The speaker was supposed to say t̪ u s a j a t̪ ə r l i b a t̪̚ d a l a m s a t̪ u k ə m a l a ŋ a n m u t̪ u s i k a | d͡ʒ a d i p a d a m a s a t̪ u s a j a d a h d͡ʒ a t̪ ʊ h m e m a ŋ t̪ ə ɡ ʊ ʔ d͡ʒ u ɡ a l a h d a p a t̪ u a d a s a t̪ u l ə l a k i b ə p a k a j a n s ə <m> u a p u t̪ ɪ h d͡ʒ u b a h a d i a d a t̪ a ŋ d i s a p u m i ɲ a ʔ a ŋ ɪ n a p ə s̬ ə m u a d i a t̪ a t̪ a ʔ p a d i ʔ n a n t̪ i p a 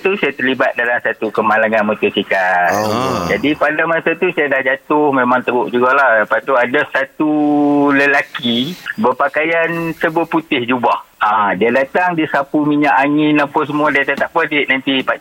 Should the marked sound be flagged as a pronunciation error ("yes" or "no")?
yes